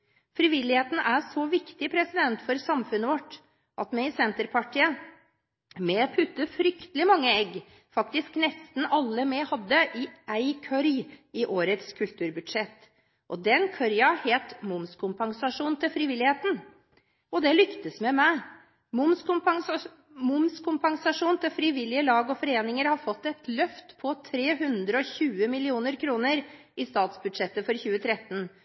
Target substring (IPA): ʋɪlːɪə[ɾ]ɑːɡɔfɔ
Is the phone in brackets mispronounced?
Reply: yes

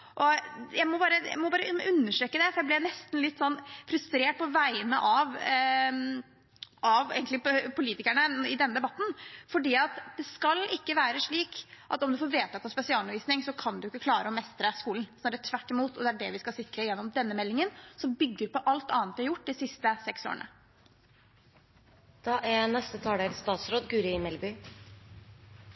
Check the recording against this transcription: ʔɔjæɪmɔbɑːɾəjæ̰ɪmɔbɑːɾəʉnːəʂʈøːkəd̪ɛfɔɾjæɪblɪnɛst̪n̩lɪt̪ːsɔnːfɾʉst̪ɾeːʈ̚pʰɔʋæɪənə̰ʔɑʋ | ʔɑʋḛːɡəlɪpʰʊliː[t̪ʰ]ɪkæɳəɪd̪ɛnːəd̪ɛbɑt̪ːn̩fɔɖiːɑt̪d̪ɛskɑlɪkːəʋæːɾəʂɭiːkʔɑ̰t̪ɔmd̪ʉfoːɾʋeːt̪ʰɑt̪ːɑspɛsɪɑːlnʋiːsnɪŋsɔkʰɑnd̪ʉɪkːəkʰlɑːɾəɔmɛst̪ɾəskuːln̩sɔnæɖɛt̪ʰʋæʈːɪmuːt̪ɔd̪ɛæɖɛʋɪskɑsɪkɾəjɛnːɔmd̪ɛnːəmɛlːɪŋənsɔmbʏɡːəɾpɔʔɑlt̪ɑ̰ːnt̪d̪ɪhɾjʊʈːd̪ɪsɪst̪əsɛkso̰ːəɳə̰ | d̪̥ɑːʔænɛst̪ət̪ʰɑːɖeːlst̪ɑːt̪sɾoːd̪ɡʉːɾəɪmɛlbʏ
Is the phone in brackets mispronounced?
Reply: yes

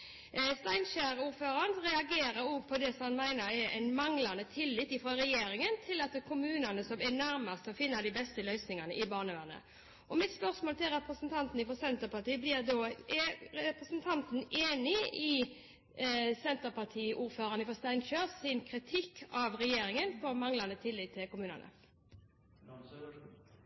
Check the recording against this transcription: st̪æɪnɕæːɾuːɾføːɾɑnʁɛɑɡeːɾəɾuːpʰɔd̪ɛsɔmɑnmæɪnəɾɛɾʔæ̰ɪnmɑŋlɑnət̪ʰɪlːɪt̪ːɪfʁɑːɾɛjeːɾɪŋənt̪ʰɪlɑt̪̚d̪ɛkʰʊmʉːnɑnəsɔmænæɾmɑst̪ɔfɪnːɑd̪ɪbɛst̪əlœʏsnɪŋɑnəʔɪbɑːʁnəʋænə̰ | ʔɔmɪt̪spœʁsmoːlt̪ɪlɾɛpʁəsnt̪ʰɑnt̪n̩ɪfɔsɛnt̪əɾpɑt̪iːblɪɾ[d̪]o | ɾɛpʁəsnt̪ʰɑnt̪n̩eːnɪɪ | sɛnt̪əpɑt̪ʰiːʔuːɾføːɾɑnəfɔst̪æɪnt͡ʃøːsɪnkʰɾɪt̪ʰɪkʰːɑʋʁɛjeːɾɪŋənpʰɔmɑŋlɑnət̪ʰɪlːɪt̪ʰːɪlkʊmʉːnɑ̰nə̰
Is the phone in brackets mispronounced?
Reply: no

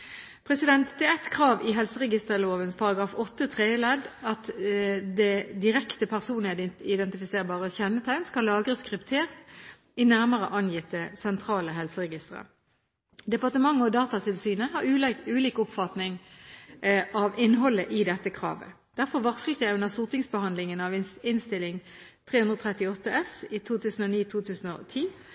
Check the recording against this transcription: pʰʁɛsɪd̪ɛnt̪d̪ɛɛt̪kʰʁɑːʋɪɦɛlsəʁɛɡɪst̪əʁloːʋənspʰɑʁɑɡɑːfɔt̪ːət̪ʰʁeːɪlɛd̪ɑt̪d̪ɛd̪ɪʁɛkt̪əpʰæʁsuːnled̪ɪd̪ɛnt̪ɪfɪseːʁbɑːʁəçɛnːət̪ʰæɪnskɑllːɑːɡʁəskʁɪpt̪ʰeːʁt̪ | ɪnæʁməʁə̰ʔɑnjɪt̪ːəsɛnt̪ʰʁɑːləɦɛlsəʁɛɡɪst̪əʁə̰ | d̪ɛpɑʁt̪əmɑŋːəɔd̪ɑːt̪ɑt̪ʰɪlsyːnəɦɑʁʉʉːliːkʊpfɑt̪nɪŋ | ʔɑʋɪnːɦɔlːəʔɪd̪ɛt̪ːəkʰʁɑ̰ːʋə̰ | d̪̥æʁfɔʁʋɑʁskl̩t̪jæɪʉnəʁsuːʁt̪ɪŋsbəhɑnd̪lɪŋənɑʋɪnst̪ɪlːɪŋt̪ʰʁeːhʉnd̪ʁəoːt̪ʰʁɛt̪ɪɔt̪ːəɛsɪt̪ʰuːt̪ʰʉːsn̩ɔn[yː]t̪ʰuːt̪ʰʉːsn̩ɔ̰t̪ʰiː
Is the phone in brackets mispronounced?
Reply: yes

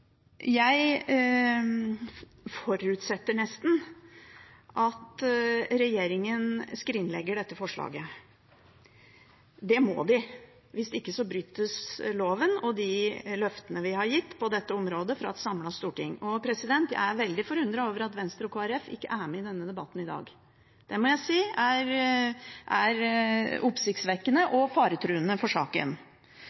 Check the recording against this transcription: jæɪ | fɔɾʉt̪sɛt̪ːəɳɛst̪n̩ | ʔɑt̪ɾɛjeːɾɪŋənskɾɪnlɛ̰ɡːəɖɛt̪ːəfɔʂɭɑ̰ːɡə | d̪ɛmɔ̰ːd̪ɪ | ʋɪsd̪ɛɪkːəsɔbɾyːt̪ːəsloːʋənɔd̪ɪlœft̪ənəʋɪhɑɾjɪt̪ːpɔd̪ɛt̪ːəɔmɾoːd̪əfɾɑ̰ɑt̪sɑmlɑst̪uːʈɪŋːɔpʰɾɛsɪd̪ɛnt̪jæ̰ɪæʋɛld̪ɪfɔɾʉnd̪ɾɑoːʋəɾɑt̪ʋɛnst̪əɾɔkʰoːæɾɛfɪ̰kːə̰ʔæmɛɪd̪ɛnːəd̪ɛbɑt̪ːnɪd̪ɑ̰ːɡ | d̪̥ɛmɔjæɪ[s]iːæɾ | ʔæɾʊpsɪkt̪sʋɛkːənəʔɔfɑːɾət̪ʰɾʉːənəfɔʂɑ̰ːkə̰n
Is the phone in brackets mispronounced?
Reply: no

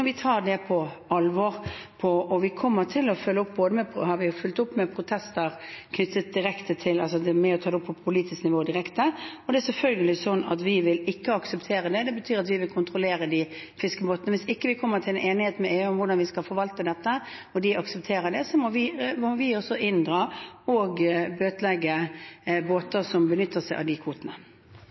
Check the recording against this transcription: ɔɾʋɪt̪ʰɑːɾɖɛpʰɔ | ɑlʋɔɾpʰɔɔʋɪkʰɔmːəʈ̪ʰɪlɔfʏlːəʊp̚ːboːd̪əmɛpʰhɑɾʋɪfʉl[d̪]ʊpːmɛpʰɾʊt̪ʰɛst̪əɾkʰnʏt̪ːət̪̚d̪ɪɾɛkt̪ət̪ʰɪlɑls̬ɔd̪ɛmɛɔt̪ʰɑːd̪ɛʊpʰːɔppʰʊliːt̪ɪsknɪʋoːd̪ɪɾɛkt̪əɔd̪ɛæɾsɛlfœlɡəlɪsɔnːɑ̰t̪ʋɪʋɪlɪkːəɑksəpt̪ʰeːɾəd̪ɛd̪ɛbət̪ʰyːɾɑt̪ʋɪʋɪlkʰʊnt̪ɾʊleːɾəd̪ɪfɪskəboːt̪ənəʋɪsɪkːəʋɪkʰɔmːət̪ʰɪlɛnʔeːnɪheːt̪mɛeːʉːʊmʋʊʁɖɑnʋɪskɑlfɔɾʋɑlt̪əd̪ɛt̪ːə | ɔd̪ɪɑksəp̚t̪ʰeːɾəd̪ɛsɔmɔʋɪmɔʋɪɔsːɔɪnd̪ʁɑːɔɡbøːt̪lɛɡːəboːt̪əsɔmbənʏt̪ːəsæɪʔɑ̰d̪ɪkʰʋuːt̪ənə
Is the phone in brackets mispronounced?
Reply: yes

